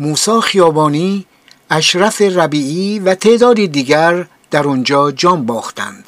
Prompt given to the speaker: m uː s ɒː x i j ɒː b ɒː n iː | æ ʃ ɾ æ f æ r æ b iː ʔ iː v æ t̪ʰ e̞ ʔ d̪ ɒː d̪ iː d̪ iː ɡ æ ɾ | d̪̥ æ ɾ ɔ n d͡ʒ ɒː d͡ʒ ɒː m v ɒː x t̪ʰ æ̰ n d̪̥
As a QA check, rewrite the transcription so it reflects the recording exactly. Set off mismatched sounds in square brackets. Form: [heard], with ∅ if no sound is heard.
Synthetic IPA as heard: m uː s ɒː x i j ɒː b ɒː n iː | æ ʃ ɾ æ f [e] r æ b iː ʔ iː v æ t̪ʰ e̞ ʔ d̪ ɒː d̪ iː d̪ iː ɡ æ ɾ | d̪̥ æ ɾ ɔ n d͡ʒ ɒː d͡ʒ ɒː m [b] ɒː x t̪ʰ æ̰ n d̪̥